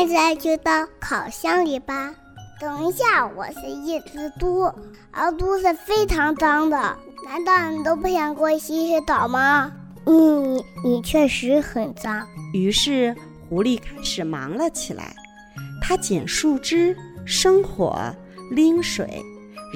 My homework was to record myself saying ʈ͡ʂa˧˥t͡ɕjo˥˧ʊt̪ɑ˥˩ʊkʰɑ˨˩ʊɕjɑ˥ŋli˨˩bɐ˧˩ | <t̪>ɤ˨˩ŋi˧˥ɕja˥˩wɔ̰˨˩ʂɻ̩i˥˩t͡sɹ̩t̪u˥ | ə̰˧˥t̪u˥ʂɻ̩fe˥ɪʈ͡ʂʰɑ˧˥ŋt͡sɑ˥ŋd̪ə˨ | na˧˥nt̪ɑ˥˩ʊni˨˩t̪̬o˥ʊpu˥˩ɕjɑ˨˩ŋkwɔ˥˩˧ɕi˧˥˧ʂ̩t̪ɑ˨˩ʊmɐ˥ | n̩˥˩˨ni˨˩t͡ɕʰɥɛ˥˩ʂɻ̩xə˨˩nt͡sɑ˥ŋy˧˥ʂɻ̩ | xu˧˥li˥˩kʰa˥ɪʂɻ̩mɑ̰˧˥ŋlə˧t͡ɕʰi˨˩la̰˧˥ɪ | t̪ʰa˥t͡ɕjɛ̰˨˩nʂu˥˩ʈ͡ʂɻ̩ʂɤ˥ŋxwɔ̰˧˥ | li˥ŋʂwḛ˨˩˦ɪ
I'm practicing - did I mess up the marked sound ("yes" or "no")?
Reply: no